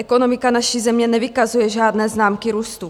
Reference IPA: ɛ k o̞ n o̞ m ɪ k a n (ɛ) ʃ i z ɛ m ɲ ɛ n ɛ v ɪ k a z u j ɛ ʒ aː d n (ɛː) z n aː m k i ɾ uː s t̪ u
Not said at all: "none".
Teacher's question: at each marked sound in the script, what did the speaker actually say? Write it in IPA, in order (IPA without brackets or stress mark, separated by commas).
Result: a, ɛː